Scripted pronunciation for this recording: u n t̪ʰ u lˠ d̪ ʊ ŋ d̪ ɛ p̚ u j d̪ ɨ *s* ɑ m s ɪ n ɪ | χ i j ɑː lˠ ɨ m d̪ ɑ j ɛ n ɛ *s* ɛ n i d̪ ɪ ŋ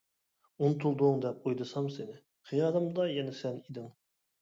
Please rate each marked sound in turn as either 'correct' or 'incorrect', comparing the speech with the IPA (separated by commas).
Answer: correct, correct